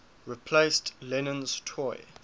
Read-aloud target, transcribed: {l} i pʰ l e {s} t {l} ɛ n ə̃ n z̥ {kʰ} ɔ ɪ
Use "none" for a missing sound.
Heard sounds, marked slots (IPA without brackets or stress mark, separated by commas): ɹ, s, l, tʰ